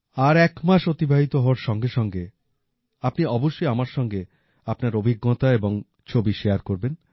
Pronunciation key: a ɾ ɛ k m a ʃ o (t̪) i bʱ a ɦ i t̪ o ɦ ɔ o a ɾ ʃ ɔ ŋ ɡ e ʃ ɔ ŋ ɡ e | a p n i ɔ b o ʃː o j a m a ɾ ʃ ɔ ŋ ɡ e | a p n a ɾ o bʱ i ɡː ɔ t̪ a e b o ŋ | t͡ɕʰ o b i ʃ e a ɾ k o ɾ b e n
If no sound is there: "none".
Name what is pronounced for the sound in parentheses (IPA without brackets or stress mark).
t̪